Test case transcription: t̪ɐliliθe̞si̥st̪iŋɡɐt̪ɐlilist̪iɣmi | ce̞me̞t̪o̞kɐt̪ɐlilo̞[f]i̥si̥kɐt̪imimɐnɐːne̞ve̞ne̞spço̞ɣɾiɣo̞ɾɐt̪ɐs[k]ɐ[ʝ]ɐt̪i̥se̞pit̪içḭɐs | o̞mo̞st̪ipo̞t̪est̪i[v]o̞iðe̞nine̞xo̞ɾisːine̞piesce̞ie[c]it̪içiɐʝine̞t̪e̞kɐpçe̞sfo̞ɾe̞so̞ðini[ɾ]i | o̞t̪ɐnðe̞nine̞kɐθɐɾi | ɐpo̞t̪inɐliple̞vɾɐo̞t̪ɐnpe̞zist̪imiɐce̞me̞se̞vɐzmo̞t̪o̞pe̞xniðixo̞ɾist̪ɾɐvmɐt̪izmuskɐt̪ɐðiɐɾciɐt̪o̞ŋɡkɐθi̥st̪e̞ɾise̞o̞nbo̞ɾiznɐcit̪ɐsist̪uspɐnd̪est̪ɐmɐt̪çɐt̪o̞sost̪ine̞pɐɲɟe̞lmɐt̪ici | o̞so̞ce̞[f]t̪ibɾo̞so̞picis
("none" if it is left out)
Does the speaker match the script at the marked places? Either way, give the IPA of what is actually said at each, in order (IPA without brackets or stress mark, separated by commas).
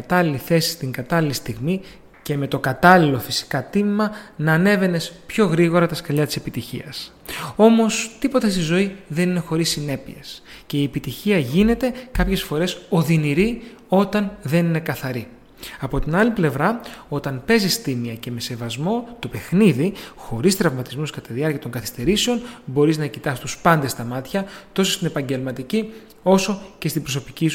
f, k, ʎ, z, p, ɾ, s